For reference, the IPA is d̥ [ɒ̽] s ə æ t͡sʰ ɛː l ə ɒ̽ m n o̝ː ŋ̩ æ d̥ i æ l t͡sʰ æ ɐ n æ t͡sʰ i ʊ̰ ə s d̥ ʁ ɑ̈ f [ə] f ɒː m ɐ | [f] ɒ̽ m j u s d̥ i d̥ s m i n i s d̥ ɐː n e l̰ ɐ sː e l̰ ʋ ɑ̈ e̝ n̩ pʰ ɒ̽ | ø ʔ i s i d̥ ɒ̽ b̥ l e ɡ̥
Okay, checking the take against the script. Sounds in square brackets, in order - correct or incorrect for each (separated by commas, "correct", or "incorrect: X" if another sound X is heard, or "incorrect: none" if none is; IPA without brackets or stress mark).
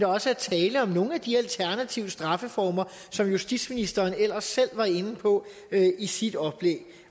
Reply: correct, correct, incorrect: s